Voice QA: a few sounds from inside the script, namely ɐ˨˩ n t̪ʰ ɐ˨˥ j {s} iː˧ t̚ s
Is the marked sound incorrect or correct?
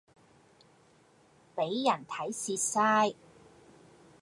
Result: correct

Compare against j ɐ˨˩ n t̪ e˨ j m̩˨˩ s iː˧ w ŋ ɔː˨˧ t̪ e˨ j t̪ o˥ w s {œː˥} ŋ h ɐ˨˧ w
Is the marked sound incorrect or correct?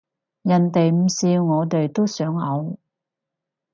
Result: incorrect: œː˨˥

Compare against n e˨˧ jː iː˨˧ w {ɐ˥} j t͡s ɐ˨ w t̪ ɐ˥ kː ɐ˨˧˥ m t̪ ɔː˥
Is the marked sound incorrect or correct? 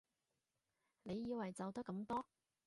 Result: incorrect: ɐ˨˩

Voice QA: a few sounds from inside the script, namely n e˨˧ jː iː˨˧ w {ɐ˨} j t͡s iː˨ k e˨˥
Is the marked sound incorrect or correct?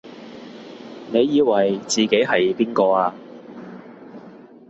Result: correct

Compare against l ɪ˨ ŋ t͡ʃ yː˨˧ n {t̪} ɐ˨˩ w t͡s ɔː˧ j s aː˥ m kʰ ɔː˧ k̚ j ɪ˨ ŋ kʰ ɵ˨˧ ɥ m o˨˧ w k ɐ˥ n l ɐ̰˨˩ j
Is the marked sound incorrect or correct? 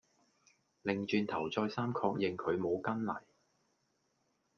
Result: incorrect: t̪ʰ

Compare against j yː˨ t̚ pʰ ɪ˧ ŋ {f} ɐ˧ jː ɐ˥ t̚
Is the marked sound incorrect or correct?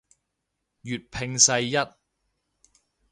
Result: incorrect: s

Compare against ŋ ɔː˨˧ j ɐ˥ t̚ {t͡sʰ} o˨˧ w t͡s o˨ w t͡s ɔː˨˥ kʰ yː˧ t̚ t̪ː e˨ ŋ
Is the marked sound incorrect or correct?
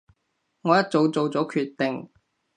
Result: incorrect: t͡s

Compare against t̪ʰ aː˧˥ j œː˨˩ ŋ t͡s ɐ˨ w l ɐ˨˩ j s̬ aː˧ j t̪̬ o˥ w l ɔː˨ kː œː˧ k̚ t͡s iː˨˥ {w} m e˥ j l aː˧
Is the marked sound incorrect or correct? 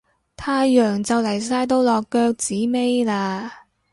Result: incorrect: none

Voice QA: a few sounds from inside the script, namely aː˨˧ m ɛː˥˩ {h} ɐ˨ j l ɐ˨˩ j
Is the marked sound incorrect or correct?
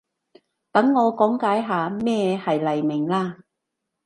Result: correct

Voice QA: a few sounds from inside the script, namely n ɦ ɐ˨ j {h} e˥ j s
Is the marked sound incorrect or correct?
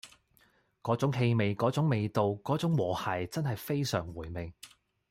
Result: incorrect: f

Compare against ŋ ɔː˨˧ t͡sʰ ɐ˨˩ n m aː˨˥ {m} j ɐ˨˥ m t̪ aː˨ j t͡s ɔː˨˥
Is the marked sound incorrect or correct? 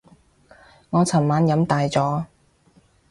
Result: incorrect: n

